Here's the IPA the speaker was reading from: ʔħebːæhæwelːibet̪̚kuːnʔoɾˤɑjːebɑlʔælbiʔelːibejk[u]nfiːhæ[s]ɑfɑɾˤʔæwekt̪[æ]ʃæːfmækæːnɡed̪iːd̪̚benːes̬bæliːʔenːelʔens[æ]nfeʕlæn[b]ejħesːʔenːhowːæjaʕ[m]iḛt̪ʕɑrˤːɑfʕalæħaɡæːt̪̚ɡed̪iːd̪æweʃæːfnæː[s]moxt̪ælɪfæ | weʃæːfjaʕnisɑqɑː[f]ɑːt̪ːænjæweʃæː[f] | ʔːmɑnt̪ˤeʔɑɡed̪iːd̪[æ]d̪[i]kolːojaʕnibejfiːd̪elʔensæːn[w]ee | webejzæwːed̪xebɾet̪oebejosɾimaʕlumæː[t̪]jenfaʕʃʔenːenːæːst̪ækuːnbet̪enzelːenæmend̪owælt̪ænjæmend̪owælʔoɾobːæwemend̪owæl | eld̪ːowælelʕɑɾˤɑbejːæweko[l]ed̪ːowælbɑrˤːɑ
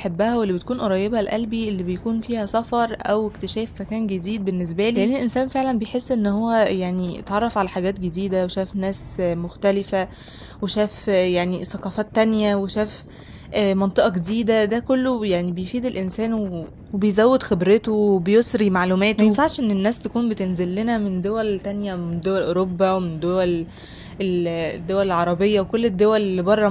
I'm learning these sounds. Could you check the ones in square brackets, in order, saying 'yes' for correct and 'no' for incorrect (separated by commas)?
no, yes, no, no, yes, no, yes, yes, yes, yes, no, yes, yes, no